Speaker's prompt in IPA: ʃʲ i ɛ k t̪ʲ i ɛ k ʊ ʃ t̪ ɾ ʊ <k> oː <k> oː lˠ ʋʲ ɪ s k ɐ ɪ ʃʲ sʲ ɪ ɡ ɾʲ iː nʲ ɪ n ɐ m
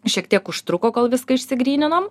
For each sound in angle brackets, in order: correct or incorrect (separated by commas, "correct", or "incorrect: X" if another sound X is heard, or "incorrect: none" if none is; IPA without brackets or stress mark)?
correct, correct